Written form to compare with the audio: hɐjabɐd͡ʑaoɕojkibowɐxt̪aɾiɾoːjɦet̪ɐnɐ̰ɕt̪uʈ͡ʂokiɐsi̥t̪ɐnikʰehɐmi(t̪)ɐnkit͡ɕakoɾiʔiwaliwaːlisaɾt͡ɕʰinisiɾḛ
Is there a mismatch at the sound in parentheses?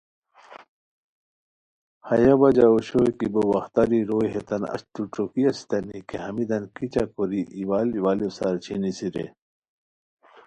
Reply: yes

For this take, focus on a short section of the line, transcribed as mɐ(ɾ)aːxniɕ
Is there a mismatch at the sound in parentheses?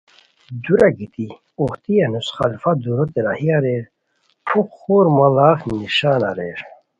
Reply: yes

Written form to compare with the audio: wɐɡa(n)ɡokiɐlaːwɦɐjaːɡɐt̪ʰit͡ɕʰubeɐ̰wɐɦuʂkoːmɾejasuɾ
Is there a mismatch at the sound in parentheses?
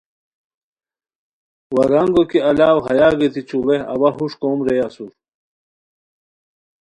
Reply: yes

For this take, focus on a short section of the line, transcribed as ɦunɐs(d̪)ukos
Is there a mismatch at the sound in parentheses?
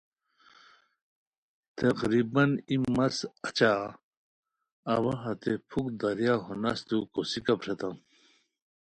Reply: yes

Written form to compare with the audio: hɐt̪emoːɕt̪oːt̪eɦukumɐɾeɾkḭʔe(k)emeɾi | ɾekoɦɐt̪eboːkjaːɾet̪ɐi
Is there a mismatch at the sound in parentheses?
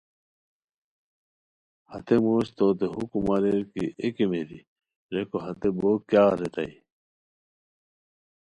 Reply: no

